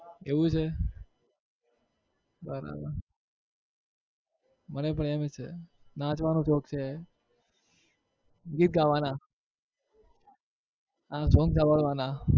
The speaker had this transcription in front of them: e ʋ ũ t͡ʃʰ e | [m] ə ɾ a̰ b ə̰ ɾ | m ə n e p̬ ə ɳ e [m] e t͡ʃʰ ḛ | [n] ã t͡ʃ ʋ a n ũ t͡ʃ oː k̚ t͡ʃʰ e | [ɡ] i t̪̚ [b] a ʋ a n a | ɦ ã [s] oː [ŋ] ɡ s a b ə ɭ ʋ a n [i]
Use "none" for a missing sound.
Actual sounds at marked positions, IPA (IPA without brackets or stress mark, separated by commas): b, m, n, ɡ, ɡ, s, ŋ, a